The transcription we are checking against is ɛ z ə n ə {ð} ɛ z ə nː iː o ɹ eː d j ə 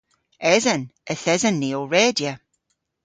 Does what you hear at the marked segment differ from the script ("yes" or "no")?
yes